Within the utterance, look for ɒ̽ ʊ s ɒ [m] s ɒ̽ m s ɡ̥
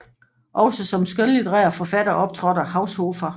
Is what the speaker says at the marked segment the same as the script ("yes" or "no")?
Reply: no